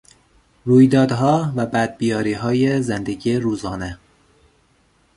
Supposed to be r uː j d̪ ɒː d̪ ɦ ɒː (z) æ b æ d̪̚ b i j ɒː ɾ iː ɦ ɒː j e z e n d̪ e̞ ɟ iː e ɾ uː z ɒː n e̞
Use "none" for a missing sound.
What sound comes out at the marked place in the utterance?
v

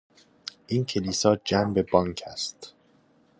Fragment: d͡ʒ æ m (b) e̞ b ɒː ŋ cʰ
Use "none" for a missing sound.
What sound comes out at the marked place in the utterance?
b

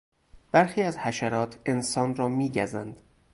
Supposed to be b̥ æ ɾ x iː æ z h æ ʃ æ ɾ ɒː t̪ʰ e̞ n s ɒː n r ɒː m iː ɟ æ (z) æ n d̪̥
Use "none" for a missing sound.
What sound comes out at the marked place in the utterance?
z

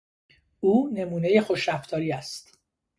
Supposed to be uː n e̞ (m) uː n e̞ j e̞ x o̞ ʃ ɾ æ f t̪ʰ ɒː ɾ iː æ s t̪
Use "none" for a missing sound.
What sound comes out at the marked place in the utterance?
m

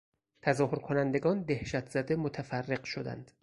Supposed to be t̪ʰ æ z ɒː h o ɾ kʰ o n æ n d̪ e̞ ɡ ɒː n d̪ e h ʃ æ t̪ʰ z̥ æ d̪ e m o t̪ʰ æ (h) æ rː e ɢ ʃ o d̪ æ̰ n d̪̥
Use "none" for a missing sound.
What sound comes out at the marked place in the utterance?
f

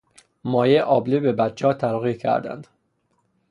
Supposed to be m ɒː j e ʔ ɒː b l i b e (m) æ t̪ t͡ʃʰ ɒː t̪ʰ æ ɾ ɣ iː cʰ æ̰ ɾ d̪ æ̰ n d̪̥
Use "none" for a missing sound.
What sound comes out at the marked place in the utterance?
b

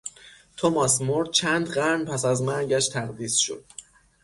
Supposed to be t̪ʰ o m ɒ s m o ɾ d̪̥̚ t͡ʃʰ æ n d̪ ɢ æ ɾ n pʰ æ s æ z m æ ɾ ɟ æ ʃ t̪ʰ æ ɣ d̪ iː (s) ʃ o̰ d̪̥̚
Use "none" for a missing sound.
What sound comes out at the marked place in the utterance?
s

